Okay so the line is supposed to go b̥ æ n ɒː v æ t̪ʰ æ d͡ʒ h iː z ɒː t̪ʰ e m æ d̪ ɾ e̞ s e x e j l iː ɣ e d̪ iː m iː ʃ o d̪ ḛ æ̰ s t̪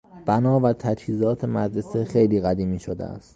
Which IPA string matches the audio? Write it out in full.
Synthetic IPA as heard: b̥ æ n ɒː v æ t̪ʰ æ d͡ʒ h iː z ɒː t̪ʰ e m æ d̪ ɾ e̞ s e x e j l iː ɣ æ d̪ iː m iː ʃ o d̪ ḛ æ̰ s t̪